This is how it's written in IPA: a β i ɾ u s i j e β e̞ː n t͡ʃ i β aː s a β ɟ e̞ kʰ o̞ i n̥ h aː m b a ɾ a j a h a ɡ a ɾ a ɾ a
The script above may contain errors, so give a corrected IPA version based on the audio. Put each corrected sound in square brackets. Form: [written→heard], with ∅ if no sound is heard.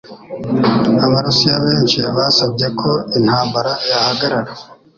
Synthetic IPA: a β [i→a] ɾ u s i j [e→a] β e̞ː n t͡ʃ i β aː s a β ɟ e̞ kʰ o̞ i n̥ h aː m b a ɾ a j a h a ɡ a ɾ a ɾ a